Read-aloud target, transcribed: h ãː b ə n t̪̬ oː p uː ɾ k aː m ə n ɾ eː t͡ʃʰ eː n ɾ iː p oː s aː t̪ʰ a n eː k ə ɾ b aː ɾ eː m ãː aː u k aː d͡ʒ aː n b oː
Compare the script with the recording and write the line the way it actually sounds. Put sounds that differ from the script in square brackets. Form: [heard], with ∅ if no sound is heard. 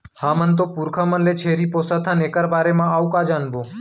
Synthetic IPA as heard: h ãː [m] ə n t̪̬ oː p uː ɾ [kʰ] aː m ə n [l] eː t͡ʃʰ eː [∅] ɾ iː p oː s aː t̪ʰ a n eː k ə ɾ b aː ɾ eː m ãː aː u k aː d͡ʒ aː n b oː

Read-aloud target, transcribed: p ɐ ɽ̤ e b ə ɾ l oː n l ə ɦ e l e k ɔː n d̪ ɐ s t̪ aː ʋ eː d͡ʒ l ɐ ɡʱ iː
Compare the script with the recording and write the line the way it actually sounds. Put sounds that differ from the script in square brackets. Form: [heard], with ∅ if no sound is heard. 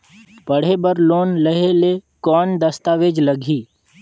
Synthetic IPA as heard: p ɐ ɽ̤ e b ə ɾ l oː n l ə ɦ e l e k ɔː n d̪ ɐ s t̪ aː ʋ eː d͡ʒ l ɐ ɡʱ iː

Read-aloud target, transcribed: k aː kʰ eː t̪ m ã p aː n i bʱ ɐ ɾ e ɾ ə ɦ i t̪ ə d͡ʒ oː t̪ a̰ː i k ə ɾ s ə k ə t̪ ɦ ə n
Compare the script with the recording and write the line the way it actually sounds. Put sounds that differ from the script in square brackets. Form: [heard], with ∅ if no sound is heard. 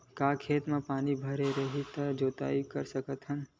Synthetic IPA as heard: k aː kʰ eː t̪ m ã p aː n i bʱ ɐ ɾ e ɾ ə ɦ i t̪ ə d͡ʒ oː t̪ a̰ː i k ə ɾ s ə k ə t̪ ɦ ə n

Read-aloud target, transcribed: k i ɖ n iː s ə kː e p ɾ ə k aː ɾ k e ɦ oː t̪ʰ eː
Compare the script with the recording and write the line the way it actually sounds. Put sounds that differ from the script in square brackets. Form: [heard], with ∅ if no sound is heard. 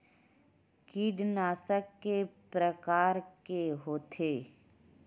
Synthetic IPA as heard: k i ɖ n [aː] s ə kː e p ɾ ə k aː ɾ k e ɦ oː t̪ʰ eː

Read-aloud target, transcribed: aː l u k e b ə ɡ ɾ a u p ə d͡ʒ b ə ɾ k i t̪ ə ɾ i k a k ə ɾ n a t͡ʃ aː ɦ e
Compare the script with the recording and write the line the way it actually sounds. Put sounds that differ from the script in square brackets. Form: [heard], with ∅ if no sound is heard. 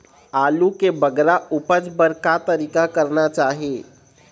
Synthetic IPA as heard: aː l u k e b ə ɡ ɾ a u p ə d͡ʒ b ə ɾ k [a] t̪ ə ɾ i k a k ə ɾ n a t͡ʃ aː ɦ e

